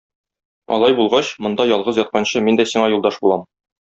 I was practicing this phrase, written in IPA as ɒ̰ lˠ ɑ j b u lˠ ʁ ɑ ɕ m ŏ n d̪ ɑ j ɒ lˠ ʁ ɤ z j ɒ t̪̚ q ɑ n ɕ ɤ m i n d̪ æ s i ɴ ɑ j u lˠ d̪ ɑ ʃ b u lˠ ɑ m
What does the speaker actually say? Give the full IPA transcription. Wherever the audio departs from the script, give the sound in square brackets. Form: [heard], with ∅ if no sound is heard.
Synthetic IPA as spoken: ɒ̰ lˠ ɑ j b u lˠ ʁ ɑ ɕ m ŏ n d̪ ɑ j ɒ lˠ ʁ ɤ z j ɒ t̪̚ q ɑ n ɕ ɤ m i n d̪ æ s i ɴ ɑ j u lˠ d̪ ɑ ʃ b u lˠ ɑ m